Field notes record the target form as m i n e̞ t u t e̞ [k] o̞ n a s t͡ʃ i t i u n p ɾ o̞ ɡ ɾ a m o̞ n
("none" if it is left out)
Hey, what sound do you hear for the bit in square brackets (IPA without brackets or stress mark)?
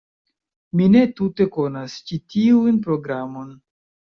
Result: k